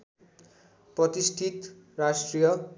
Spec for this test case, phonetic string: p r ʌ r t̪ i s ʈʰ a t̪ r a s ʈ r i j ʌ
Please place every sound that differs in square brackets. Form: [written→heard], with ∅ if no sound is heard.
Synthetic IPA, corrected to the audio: p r ʌ [r→∅] t̪ i s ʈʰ [a→i] t̪ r a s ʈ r i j ʌ